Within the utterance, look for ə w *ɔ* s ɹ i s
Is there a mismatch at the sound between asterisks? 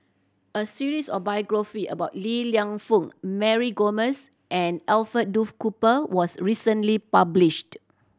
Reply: no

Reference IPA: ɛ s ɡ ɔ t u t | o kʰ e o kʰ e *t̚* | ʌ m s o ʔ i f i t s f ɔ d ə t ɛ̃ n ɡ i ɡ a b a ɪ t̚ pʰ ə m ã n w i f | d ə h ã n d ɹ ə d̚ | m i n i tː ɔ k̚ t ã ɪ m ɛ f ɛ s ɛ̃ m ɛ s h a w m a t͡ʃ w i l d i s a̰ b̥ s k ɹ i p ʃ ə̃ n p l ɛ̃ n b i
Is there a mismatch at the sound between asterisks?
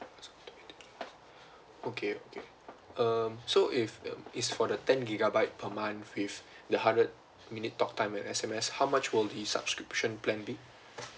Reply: yes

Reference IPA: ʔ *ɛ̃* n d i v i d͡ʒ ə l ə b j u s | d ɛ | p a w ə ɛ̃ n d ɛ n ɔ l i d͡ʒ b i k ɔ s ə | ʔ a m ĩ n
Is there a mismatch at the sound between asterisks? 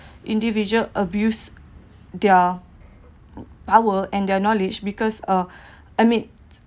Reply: yes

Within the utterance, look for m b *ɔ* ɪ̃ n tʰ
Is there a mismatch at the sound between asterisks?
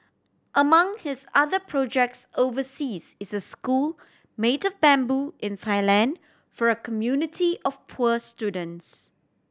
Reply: yes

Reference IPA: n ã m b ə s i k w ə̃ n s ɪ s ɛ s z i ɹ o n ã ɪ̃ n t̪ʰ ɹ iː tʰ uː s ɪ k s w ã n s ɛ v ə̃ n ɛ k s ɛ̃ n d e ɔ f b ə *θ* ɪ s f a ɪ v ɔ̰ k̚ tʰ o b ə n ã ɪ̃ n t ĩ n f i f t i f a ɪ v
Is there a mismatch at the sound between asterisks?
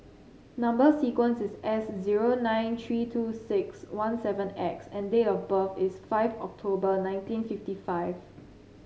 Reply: yes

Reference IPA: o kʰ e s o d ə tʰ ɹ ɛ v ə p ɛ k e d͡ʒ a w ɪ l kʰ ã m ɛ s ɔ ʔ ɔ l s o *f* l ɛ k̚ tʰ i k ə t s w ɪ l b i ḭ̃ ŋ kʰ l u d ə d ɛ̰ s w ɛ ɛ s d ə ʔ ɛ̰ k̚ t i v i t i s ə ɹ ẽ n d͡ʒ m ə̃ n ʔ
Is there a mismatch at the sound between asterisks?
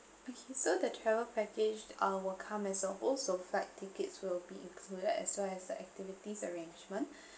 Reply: no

